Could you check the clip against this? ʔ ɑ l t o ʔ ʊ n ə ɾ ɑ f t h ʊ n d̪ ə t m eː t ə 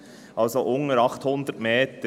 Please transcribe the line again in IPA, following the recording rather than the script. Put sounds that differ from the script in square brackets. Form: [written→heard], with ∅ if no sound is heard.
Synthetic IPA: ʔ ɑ l [t→s] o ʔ ʊ [n→ŋ] ə ɾ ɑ [f→χ] t h ʊ n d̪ ə t m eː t ə